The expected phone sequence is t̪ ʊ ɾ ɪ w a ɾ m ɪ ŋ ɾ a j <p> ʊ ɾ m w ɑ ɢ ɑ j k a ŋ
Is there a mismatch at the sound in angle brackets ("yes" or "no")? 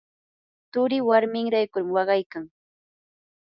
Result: yes